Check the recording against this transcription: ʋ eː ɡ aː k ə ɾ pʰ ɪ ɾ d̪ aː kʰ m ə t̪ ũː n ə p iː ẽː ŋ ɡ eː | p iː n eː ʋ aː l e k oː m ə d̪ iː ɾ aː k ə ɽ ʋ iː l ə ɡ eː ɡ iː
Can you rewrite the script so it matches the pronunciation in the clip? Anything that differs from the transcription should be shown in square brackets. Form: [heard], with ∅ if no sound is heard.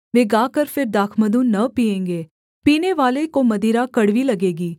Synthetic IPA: ʋ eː ɡ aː k ə ɾ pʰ ɪ ɾ d̪ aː kʰ m ə [d̪] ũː n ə p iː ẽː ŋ ɡ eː | p iː n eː ʋ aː l e k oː m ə d̪ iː ɾ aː k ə ɽ ʋ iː l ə ɡ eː ɡ iː